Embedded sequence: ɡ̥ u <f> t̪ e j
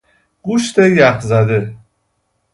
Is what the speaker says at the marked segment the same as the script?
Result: no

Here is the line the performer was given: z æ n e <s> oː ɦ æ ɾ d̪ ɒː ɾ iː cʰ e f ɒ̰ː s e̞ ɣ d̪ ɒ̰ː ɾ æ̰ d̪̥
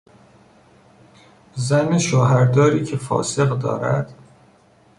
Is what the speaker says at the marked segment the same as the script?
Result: no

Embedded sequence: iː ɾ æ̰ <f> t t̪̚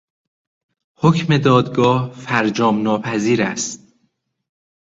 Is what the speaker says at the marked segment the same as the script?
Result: no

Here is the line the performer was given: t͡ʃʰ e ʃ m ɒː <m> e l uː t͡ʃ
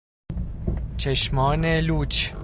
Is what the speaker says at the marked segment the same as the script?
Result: no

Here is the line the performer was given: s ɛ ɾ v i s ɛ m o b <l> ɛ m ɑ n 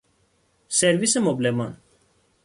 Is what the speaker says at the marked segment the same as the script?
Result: yes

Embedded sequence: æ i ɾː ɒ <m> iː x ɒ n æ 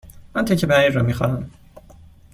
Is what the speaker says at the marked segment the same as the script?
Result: yes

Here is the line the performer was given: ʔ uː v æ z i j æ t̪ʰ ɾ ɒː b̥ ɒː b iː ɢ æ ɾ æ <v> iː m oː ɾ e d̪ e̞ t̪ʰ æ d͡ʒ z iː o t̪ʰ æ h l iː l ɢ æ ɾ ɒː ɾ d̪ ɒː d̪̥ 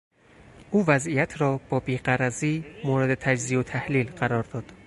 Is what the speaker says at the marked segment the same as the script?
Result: no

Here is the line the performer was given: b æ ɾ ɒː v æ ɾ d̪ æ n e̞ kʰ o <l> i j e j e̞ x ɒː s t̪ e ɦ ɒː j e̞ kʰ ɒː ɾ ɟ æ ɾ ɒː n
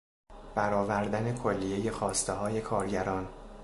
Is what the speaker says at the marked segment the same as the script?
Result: no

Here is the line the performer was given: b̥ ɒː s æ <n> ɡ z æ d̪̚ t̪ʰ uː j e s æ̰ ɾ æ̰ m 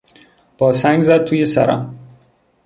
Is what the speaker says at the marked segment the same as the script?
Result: no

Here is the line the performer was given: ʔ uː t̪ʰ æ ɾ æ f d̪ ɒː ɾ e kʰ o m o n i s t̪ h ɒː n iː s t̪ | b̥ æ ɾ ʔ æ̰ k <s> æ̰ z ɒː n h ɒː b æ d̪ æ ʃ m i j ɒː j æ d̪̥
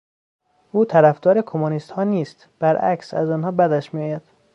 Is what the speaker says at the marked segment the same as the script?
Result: yes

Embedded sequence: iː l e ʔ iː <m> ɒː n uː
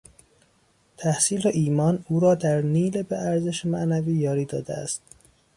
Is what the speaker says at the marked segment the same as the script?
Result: yes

